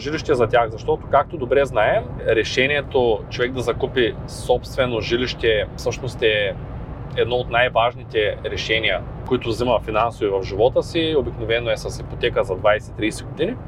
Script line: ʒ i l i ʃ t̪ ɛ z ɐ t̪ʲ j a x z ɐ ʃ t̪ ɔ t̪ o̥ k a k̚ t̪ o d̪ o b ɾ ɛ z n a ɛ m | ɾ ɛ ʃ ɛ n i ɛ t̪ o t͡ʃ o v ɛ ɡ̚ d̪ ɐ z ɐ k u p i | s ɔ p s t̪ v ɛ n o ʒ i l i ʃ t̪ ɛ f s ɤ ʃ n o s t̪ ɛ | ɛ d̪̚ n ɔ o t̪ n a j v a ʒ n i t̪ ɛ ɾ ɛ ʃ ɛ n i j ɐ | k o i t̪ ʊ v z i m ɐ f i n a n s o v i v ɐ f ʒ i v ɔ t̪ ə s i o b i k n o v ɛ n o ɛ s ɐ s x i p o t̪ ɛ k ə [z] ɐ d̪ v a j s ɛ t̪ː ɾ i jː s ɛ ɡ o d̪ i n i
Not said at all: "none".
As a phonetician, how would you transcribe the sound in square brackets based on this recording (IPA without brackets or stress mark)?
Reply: z